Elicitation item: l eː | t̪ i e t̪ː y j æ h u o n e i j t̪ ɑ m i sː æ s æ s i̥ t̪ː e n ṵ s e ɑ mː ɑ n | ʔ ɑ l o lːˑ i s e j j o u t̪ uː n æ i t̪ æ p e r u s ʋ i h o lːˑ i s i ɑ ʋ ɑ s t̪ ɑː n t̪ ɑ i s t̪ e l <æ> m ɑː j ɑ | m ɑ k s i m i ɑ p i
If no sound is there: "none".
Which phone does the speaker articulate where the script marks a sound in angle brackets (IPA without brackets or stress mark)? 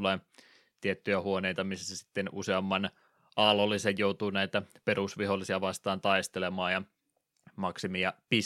e